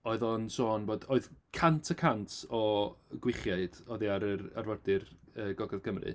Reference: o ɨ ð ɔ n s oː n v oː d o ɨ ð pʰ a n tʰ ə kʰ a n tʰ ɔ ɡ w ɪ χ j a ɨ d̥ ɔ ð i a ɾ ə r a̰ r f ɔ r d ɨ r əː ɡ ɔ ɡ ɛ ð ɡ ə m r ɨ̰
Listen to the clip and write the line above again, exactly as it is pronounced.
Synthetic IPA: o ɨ ð ɔ n s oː n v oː d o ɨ ð kʰ a n tʰ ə kʰ a n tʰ ɔ ɡ w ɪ χ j a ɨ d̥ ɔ ð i a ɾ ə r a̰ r v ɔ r d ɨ r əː ɡ ɔ ɡ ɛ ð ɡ ə m r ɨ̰

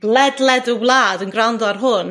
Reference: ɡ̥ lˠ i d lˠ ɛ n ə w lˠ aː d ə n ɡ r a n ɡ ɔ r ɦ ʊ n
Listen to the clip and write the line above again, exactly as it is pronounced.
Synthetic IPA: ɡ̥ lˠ ɛ d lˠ ɛ d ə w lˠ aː d ə n ɡ r a n d ɔ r ɦ ʊ n

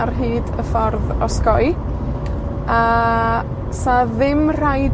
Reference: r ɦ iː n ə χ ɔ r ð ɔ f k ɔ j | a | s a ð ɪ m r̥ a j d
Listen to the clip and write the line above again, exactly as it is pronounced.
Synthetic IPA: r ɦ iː d ə f ɔ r ð ɔ s k ɔ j | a | s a ð ɪ m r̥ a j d

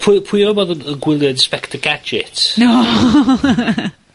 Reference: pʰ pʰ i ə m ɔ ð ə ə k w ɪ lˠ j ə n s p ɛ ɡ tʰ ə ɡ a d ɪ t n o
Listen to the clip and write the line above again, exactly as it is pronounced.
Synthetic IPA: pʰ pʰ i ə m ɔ ð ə ə ɡ w ɪ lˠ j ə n s p ɛ k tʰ ə ɡ a d͡ʒ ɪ t n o

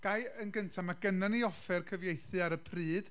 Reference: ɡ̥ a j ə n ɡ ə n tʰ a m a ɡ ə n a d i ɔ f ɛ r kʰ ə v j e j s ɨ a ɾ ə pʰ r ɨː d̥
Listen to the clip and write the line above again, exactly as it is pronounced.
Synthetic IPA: ɡ̥ a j ə n ɡ ə n tʰ a m a ɡ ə n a n i ɔ f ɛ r kʰ ə v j e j θ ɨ a ɾ ə pʰ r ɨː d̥

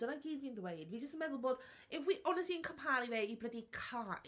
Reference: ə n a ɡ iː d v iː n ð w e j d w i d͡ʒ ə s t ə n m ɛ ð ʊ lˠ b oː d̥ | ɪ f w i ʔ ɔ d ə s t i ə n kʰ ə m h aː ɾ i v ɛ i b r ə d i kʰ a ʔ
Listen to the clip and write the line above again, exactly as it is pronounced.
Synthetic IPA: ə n a ɡ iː d v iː n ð w e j d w i d͡ʒ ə s t ə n m ɛ ð ʊ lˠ b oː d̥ | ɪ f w i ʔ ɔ n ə s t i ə n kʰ ə m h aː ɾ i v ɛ i b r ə d i kʰ a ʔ

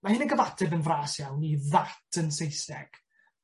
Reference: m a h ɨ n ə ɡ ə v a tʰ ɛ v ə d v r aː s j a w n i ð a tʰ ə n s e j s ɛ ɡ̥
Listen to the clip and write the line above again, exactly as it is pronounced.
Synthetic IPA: m a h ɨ n ə ɡ ə v a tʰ ɛ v ə n v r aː s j a w n i ð a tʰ ə n s e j s ɛ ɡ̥

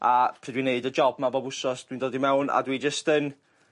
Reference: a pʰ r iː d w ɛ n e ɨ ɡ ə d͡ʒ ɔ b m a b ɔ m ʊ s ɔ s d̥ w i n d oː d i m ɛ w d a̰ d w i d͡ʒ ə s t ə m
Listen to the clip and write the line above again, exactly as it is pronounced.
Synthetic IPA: a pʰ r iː d w i n e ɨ d ə d͡ʒ ɔ b m a b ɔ b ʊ s ɔ s d̥ w i n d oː d i m ɛ w n a̰ d w i d͡ʒ ə s t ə n

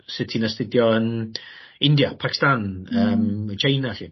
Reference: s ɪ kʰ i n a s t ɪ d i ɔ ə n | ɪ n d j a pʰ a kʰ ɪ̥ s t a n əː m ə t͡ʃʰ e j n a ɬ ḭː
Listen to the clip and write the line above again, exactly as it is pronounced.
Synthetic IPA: s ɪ tʰ i n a s t ɪ d j ɔ ə n | ɪ n d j a pʰ a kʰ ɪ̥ s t a n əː m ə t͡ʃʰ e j n a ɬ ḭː

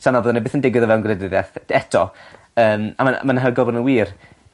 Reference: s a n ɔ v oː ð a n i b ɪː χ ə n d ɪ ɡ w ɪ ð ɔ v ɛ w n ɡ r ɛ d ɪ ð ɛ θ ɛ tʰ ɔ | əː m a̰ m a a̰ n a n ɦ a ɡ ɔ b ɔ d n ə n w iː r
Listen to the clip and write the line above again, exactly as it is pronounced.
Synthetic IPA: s a n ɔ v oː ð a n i b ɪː θ ə n d ɪ ɡ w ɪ ð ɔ v ɛ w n ɡ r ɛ d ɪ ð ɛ θ ɛ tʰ ɔ | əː m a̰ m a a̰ m a n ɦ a ɡ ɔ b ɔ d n ə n w iː r

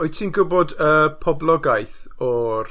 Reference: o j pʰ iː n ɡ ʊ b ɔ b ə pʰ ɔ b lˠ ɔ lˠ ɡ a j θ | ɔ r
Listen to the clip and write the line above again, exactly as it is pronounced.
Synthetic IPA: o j tʰ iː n ɡ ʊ b ɔ d ə pʰ ɔ b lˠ ɔ ɡ a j θ | ɔ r

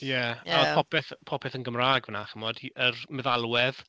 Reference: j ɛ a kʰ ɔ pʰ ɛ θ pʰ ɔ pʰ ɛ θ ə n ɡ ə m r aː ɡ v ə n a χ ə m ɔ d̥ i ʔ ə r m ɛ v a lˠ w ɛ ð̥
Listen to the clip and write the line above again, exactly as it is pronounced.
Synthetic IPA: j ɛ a pʰ ɔ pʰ ɛ θ pʰ ɔ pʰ ɛ θ ə n ɡ ə m r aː ɡ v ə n a χ ə m ɔ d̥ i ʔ ə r m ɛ ð a lˠ w ɛ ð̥

